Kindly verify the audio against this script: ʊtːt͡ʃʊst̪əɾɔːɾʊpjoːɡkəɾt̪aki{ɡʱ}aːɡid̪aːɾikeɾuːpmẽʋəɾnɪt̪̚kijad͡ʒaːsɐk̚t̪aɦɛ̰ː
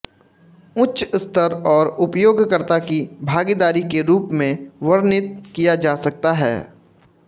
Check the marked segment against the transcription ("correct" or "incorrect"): incorrect